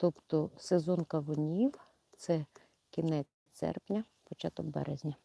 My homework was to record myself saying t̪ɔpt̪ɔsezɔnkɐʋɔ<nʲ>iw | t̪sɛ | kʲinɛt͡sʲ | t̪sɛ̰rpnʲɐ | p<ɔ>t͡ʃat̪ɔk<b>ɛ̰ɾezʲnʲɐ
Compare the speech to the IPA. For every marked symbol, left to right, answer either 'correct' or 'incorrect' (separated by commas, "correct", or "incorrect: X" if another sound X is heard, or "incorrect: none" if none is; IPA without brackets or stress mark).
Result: correct, correct, correct